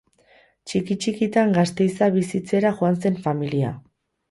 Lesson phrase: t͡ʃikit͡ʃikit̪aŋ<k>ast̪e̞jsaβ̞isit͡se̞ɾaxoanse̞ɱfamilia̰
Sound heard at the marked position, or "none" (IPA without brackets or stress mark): ɡ